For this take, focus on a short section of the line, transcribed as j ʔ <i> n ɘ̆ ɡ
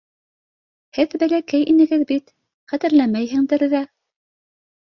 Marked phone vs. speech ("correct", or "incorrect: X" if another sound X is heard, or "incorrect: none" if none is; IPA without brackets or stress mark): correct